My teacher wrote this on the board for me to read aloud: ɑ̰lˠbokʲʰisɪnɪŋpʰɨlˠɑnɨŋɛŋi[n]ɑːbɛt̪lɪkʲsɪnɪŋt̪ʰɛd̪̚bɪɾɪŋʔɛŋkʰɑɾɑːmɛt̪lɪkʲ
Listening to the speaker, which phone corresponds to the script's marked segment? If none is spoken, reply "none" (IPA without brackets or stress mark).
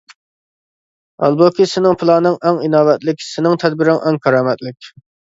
n